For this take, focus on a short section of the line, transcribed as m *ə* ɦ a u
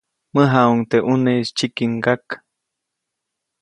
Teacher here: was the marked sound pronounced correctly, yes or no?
yes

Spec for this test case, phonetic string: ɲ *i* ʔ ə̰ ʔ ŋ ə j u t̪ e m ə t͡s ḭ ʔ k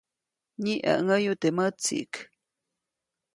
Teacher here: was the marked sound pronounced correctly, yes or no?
yes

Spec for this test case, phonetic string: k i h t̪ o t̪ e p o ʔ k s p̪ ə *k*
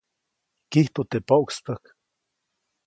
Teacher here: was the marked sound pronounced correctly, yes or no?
yes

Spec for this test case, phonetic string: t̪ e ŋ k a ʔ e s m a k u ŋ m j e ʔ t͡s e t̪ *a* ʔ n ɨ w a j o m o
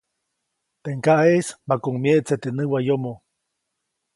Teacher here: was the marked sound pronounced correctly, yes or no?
no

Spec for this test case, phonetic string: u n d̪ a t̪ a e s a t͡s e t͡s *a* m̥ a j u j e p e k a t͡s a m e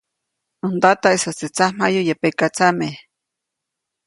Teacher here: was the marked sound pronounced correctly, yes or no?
yes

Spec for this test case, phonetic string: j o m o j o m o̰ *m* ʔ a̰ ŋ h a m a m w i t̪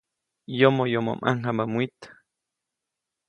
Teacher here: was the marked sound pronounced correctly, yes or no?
yes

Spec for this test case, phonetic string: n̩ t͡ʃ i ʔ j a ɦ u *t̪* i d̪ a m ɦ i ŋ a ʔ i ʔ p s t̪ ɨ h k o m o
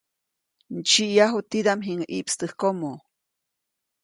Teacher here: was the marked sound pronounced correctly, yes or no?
yes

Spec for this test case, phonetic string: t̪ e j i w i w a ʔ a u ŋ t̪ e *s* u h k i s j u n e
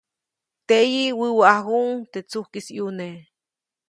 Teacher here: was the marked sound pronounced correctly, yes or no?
no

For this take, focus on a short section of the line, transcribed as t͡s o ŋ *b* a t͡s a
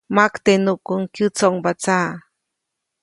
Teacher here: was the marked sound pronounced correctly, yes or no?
yes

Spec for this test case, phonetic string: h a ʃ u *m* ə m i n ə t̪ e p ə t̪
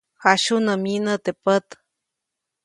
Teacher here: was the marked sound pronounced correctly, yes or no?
no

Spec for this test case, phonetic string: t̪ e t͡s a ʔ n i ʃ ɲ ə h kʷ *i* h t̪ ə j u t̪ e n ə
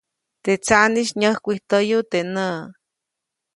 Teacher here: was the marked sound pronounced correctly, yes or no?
yes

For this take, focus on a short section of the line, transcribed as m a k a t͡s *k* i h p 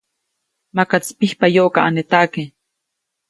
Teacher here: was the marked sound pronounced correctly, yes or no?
no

